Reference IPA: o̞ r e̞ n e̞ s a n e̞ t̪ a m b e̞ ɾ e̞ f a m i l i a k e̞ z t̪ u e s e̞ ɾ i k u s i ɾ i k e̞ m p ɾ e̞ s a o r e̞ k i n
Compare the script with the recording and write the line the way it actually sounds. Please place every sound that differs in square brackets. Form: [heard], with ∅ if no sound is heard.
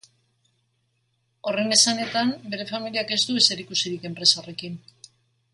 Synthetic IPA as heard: o̞ r e̞ n e̞ s a n e̞ t̪ a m b e̞ ɾ e̞ f a m i l i a k e̞ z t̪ u e s e̞ ɾ i k u s i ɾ i k e̞ m p ɾ e̞ s a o r e̞ k i n